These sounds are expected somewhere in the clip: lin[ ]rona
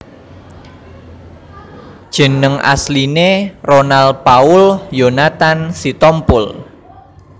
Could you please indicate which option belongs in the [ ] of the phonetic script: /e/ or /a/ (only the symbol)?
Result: e